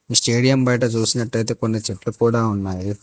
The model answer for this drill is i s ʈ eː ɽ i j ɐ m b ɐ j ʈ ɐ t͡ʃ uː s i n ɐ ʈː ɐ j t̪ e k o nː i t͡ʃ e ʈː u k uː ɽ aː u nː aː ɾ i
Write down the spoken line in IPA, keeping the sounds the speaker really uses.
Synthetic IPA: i s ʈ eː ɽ i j ɐ m b ɐ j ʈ ɐ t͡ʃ uː s i n ɐ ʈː ɐ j t̪ e k o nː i t͡ʃ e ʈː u k uː ɽ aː u nː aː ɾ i